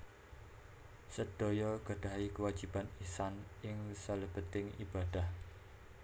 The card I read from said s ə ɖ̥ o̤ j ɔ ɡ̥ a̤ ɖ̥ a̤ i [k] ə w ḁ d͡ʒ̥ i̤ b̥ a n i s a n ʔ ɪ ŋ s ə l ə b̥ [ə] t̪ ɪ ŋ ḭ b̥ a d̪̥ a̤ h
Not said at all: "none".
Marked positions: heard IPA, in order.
k, ə

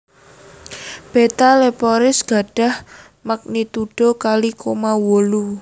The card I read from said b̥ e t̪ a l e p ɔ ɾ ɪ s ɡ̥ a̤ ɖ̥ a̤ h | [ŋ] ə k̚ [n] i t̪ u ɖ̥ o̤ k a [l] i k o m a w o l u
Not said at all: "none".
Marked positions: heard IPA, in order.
m, n, l

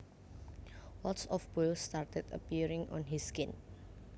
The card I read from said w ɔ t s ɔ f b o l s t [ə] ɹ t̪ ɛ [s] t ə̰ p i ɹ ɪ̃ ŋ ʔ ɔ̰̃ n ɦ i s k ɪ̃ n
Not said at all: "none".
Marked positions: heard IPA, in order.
a, none

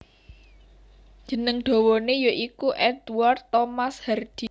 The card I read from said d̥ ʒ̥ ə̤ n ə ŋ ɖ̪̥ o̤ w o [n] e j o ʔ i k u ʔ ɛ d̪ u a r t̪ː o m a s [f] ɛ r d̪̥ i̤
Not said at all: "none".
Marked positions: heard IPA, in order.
n, h

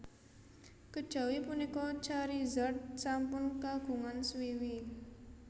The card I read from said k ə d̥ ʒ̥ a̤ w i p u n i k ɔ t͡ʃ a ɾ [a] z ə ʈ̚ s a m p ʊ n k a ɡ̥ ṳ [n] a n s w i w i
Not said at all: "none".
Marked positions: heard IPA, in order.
i, ŋ

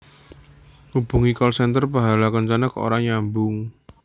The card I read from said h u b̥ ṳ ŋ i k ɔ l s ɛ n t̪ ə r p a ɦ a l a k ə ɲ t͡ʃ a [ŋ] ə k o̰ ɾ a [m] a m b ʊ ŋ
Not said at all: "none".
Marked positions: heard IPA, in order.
n, ɲ

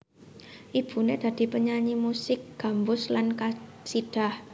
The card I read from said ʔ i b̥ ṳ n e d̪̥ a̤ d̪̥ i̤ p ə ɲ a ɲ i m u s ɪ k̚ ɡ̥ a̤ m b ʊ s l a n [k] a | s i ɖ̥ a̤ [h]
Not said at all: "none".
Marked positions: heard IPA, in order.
k, h

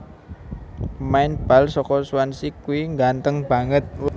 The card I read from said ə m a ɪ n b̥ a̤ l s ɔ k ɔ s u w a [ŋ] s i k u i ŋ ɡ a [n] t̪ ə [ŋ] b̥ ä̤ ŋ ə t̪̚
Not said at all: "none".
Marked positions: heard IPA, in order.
n, n, ŋ

